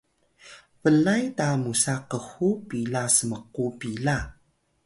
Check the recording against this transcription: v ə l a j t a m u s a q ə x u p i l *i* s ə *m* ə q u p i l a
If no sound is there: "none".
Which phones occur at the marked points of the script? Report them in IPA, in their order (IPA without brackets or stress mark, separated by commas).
a, m